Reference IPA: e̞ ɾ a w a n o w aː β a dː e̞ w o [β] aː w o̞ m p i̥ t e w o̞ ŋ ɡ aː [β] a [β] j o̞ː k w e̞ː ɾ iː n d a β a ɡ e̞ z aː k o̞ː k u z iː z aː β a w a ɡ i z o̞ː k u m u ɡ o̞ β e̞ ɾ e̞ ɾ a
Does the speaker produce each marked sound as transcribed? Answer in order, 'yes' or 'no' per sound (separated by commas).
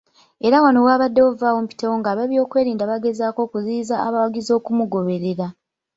no, yes, yes